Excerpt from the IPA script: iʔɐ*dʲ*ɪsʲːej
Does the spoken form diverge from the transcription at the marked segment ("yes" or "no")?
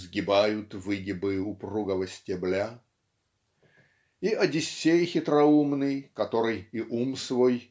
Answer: no